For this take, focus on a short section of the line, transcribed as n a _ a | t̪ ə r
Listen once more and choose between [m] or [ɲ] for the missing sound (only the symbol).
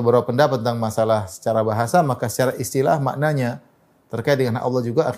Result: ɲ